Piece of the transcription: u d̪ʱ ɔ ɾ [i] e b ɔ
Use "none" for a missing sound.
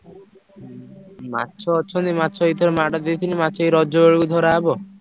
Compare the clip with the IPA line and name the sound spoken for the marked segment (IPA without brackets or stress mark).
a